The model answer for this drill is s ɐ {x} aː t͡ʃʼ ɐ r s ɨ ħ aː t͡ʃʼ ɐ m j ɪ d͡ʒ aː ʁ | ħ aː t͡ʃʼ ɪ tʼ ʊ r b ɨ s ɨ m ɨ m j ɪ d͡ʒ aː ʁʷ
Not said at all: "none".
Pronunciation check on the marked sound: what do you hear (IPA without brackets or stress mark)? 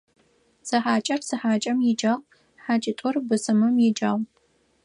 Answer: ħ